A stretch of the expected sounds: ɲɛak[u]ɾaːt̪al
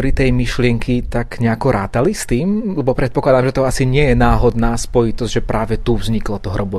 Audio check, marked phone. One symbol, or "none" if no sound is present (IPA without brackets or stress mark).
ɔ